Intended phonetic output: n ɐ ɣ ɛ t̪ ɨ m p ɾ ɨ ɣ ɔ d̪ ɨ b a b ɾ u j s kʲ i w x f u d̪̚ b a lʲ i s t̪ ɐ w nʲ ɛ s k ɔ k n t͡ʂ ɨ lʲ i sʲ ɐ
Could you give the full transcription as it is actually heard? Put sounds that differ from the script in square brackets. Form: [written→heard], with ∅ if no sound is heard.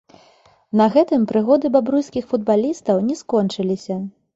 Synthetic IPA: n ɐ ɣ ɛ t̪ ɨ m p ɾ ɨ ɣ ɔ d̪ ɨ b a b ɾ u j s kʲ i [w→∅] x f u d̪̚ b a lʲ i s t̪ ɐ w nʲ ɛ s k ɔ [k→∅] n t͡ʂ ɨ lʲ i sʲ ɐ